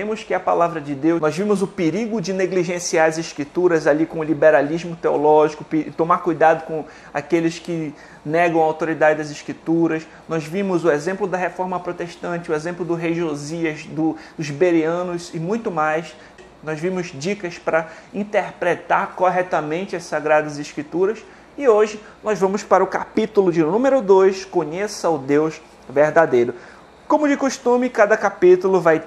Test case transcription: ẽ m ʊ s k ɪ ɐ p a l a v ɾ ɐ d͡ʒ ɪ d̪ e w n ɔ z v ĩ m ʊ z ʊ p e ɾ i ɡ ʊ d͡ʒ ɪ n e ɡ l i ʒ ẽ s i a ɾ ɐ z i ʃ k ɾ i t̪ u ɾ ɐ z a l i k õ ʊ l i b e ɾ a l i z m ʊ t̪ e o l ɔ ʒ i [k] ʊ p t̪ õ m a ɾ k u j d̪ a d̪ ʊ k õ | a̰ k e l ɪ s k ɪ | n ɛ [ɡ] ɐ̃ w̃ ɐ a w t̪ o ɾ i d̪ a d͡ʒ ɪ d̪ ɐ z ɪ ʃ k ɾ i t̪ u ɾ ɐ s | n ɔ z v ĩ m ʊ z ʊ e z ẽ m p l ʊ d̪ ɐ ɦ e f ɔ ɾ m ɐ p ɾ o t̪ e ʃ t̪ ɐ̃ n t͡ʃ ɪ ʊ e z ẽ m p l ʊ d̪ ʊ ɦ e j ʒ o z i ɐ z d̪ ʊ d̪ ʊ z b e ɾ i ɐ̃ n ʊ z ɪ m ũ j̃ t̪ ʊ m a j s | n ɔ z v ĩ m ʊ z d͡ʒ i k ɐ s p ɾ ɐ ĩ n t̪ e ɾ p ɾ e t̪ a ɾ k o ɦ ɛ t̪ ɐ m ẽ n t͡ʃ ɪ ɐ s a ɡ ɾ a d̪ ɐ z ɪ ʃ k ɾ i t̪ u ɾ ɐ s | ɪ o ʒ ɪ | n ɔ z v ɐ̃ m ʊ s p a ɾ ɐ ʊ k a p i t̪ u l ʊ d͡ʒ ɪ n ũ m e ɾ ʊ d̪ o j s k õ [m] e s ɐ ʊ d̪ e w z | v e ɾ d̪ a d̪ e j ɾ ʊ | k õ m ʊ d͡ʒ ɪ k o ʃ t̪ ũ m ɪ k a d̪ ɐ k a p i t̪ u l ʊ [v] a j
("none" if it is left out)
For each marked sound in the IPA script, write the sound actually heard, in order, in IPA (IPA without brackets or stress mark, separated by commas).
k, ɡ, ɲ, v